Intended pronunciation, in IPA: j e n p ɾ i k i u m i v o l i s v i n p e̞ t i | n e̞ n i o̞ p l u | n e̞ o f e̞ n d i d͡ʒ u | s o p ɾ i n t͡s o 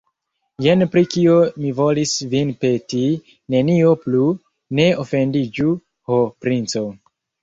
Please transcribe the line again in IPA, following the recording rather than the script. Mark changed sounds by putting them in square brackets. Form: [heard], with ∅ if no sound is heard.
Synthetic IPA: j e n p ɾ i k i [o] m i v o l i s v i n p e̞ t i | n e̞ n i o̞ p l u | n e̞ o f e̞ n d i d͡ʒ u | [h] o p ɾ i n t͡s o